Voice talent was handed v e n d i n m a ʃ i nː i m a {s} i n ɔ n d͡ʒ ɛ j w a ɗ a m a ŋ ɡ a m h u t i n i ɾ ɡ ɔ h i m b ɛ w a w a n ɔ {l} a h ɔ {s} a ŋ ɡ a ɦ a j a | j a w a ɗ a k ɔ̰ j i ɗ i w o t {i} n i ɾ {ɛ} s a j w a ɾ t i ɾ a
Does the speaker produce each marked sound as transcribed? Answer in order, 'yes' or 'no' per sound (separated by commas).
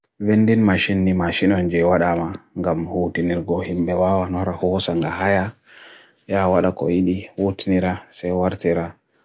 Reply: no, no, yes, yes, no